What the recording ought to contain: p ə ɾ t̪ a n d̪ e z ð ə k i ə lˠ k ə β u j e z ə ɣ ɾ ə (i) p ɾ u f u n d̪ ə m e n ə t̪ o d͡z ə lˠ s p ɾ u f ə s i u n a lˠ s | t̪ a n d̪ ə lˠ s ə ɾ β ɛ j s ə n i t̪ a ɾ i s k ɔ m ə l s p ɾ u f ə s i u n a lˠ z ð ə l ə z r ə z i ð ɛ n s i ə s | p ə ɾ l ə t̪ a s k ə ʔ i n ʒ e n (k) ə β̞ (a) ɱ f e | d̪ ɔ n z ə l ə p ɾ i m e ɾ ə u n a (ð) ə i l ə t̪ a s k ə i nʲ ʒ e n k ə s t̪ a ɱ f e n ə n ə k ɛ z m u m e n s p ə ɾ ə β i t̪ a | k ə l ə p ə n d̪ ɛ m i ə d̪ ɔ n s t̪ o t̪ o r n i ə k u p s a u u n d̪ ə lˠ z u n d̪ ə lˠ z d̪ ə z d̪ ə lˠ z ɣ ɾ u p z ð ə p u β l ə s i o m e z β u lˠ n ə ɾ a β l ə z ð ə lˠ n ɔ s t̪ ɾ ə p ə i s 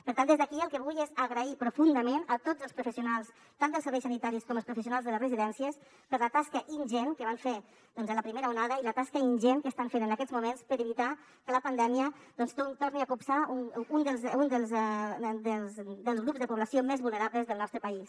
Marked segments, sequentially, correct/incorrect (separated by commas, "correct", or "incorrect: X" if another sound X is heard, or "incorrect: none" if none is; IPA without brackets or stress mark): correct, correct, correct, correct